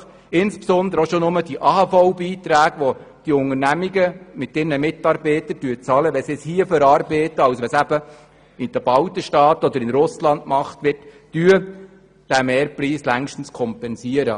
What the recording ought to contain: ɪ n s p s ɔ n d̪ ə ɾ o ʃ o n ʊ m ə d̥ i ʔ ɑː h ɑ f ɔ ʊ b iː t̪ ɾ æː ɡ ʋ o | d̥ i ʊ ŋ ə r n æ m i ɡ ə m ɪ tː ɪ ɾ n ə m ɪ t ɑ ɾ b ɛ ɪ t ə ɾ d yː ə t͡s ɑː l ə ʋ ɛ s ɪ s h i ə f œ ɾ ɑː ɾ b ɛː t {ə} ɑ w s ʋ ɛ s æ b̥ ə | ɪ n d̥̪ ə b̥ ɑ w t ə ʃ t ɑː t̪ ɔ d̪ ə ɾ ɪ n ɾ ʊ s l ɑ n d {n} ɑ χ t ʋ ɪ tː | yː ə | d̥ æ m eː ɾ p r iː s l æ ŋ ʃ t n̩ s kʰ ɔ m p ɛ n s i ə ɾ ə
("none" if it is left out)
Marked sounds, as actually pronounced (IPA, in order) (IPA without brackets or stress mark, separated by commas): ə, m